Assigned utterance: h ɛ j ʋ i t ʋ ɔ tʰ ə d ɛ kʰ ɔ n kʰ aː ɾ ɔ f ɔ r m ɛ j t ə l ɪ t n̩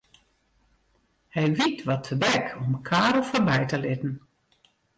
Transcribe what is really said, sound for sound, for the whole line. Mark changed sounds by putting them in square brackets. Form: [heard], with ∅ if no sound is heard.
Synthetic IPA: h ɛ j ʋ i t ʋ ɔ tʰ ə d ɛ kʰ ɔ [m] kʰ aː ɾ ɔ f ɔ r [b] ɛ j t ə l ɪ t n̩